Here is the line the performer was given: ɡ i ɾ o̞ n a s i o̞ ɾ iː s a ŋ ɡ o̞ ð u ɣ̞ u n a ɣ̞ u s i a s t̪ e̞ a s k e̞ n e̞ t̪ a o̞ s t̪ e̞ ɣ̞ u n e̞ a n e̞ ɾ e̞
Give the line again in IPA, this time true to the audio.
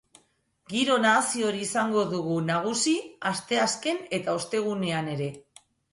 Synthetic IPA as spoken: ɡ i ɾ o̞ n a s i o̞ ɾ iː s a ŋ ɡ o̞ ð u ɣ̞ u n a ɣ̞ u s i a s t̪ e̞ a s k e̞ n e̞ t̪ a o̞ s t̪ e̞ ɣ̞ u n e̞ a n e̞ ɾ e̞